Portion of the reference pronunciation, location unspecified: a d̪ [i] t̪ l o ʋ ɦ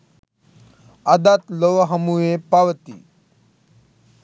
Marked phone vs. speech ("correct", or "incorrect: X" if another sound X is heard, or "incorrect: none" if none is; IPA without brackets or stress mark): incorrect: a